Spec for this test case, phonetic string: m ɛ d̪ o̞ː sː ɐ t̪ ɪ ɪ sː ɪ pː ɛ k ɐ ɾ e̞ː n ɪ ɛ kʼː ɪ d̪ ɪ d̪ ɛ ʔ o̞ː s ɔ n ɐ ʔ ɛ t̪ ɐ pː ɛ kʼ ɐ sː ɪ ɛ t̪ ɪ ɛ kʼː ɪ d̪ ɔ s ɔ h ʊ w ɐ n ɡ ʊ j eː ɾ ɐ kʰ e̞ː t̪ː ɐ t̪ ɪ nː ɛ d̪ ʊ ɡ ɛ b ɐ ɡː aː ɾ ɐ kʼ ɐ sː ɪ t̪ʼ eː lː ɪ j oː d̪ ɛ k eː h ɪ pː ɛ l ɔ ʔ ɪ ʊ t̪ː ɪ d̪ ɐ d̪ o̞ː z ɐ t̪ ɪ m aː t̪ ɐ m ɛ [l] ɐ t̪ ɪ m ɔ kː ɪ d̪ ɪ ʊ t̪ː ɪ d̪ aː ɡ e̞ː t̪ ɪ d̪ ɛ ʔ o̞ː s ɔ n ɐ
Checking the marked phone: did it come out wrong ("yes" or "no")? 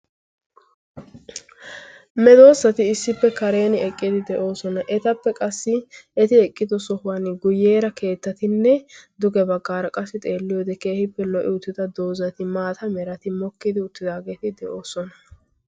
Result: yes